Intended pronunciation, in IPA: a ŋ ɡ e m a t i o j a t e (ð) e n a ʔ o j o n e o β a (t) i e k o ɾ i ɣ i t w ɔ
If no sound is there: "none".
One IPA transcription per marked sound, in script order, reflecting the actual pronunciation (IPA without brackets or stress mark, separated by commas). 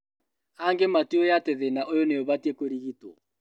ð, t